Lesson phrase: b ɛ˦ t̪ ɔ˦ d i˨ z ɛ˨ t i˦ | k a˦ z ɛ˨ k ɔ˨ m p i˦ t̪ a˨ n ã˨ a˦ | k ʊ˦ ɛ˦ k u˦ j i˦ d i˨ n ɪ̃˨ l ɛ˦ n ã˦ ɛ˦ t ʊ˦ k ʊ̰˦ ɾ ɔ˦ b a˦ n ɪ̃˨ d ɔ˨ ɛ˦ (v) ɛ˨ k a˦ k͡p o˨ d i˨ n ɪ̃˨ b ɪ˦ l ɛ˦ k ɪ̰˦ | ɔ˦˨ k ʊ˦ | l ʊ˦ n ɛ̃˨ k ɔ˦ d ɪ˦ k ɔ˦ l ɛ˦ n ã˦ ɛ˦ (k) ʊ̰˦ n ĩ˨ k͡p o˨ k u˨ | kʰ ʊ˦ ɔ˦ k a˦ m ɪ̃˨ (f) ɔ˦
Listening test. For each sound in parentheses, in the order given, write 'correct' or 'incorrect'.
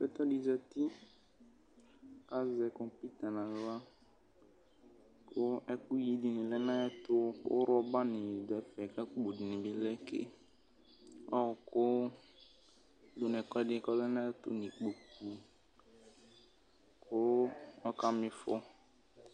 incorrect, incorrect, correct

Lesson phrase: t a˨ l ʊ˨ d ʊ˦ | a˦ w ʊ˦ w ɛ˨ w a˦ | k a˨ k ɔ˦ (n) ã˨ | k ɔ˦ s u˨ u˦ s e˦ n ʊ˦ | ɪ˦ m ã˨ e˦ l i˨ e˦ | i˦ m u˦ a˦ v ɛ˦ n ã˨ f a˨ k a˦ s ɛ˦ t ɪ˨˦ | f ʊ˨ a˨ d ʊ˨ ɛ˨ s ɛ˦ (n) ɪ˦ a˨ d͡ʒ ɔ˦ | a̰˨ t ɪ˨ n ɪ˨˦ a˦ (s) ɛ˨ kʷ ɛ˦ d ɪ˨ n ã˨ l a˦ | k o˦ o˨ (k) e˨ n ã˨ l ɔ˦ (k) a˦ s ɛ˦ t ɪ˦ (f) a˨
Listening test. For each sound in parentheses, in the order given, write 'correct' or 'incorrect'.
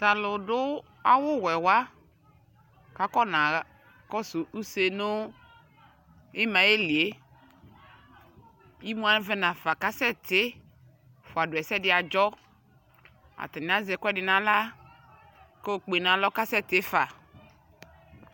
correct, incorrect, incorrect, incorrect, correct, correct

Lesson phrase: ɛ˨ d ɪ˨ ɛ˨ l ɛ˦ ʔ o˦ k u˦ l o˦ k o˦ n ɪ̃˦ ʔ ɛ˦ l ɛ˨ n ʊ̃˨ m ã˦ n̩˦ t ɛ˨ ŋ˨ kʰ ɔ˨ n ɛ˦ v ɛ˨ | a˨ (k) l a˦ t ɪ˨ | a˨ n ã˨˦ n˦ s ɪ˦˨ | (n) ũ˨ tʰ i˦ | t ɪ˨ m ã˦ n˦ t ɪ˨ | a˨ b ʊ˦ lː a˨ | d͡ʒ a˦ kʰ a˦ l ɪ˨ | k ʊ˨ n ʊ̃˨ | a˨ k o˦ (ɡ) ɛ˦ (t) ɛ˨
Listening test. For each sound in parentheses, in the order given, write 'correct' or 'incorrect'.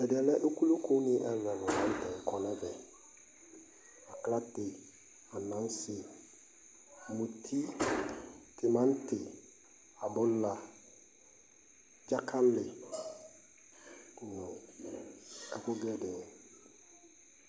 correct, incorrect, correct, incorrect

